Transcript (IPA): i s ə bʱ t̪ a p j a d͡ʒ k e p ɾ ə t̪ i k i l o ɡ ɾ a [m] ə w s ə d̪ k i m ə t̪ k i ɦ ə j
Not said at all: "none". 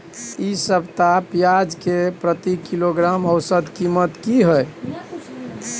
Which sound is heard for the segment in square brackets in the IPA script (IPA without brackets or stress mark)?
m